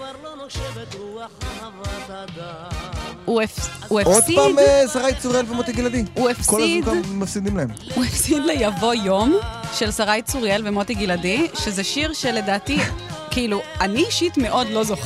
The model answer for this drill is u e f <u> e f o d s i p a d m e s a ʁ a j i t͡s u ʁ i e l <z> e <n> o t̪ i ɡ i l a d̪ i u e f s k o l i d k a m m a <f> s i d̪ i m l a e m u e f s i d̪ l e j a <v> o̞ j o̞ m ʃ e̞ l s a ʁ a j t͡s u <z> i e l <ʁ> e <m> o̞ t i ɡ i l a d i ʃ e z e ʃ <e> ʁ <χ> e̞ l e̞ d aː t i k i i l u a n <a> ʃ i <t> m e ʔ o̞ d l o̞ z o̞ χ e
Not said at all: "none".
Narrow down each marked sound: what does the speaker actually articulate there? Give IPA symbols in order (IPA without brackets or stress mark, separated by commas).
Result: u, v, m, f, v, ʁ, v, m, i, ʃ, i, t